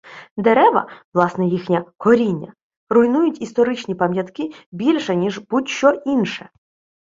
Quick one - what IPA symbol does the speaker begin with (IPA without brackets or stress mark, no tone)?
d̪